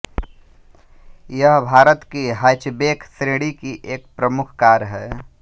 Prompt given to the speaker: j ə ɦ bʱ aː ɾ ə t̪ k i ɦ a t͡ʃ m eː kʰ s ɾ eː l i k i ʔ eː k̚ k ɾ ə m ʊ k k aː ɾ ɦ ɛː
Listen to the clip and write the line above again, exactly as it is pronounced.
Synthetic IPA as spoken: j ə ɦ bʱ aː ɾ ə t̪ k i ɦ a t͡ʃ b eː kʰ s ɾ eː ɽ i k i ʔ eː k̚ p ɾ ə m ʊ kʰ k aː ɾ ɦ ɛː